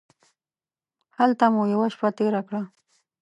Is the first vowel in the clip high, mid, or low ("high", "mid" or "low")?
low